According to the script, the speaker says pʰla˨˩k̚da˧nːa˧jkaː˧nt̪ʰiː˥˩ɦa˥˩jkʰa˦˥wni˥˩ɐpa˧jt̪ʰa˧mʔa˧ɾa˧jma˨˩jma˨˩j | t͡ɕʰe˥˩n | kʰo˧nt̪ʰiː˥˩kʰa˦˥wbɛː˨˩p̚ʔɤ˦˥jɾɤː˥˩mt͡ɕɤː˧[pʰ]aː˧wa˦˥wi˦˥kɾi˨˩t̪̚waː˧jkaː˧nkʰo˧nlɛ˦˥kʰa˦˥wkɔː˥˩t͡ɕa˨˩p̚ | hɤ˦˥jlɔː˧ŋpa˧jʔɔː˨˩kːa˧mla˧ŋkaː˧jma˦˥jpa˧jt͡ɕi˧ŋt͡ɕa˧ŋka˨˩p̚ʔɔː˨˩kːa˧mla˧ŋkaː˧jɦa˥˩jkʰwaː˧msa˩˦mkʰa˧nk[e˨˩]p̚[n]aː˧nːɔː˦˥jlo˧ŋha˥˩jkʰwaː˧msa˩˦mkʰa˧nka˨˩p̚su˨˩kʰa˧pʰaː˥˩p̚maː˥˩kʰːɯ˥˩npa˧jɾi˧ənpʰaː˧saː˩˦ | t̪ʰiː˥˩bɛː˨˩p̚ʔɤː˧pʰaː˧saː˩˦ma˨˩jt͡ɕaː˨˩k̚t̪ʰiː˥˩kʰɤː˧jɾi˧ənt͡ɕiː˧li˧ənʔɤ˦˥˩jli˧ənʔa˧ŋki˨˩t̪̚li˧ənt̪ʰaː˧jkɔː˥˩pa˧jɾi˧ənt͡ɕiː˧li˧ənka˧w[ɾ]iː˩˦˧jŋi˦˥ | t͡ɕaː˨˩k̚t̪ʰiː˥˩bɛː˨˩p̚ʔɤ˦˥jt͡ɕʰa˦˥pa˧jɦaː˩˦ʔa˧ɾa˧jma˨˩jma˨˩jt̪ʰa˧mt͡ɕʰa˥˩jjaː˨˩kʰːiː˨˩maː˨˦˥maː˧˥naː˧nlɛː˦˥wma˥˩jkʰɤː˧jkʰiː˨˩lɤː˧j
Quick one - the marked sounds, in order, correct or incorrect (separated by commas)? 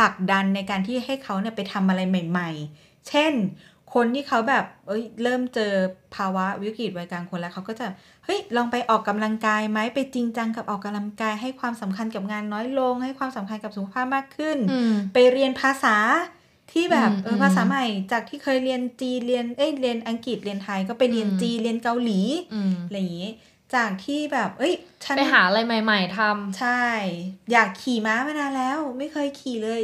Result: correct, incorrect, incorrect, incorrect